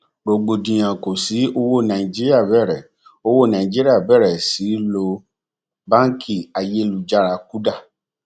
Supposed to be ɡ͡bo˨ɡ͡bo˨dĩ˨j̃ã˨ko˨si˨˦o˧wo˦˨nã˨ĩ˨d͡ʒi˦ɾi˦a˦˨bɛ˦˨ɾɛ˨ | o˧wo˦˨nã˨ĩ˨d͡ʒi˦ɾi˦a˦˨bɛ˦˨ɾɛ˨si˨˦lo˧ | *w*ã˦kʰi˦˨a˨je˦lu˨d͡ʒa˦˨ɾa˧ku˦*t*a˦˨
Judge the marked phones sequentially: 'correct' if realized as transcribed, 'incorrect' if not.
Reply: incorrect: b, incorrect: d

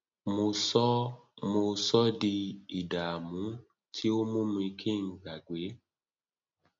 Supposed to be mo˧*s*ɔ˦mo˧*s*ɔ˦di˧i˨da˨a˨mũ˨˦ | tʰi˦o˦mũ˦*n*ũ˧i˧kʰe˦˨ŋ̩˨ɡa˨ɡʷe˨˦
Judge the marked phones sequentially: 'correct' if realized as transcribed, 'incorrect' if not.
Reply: correct, correct, incorrect: m

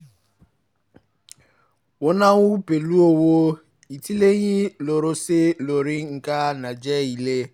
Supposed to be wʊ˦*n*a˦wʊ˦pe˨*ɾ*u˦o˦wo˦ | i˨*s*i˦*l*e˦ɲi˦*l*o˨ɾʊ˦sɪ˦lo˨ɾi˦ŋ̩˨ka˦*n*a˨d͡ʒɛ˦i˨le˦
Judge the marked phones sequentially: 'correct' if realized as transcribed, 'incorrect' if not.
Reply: correct, incorrect: l, incorrect: t, correct, correct, correct

